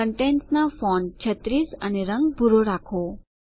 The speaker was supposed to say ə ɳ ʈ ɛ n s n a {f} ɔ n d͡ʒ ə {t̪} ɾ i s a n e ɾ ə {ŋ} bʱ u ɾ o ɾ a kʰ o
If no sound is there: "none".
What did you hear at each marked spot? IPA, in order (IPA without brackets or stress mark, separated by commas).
f, t̪, ŋ